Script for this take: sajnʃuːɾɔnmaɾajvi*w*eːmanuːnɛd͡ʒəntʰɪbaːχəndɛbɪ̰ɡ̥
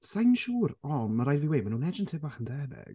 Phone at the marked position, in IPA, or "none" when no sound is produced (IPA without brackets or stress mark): w